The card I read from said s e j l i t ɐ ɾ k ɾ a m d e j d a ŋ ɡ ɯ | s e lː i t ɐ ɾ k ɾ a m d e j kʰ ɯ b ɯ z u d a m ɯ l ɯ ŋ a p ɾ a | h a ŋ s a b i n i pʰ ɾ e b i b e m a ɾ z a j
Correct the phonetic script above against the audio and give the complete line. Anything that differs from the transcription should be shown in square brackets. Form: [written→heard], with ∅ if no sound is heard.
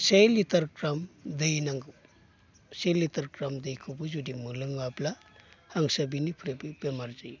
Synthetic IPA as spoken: s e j l i t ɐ ɾ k ɾ a m d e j [d→n] a ŋ ɡ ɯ | s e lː i t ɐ ɾ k ɾ a m d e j kʰ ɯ b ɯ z u d [a→i] m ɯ l ɯ ŋ a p [ɾ→l] a | h a ŋ s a b i n i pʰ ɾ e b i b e m a ɾ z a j